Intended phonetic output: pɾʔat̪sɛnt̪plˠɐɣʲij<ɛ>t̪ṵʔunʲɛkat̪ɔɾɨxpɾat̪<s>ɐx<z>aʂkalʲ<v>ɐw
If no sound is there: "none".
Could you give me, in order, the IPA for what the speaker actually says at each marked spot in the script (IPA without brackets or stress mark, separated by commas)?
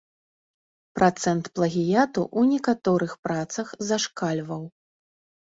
a, s, z, v